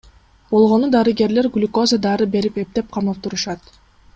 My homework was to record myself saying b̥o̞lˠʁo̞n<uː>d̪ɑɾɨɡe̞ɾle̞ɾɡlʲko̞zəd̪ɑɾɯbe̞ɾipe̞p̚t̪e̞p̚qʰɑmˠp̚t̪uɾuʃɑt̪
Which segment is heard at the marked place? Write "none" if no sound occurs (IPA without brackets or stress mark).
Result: u